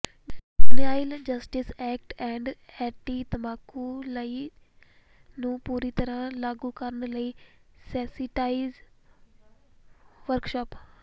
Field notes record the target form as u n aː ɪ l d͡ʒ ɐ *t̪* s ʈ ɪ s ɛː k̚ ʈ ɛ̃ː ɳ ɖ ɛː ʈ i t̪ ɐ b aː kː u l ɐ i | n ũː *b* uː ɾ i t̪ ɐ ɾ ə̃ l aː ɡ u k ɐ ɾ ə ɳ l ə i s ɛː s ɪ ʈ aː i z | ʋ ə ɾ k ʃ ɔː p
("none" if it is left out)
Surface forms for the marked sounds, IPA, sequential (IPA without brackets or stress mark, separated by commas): none, p